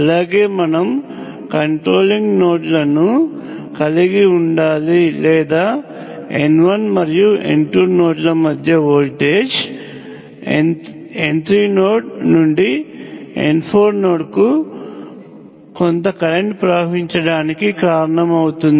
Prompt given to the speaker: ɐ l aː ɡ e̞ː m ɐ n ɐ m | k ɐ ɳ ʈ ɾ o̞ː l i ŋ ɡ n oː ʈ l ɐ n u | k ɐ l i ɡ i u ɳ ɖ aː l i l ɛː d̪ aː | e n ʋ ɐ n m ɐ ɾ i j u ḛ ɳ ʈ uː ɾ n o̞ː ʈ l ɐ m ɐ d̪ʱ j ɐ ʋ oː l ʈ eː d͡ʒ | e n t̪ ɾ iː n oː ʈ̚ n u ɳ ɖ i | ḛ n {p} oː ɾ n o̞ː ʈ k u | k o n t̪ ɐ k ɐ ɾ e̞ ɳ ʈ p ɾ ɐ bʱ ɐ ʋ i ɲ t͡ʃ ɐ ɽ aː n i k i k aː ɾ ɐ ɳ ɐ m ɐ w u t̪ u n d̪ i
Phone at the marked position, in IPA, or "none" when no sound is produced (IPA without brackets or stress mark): pʰ